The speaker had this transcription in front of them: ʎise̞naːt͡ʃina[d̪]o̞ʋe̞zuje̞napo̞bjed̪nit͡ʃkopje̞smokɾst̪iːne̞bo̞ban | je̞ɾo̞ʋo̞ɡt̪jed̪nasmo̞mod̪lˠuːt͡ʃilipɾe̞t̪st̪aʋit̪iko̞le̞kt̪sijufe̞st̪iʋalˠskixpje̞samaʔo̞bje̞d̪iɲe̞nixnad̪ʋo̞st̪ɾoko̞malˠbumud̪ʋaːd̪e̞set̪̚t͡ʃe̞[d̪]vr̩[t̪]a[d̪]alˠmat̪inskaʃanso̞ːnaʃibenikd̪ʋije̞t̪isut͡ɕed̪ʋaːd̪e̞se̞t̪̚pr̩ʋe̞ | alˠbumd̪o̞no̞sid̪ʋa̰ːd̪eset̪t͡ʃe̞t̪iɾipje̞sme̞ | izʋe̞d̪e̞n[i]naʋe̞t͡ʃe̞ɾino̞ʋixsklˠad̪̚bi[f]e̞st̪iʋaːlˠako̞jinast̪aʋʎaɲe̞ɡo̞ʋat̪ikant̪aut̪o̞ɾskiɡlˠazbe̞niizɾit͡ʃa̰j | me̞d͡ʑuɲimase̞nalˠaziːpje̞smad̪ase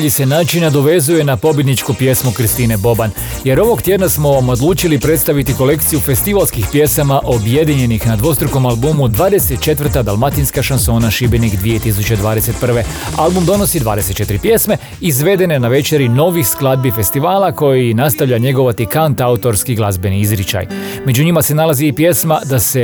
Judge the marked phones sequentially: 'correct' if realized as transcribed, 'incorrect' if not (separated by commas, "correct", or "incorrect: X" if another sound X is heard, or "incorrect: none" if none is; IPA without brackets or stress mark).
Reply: correct, incorrect: t̪, correct, correct, incorrect: e, correct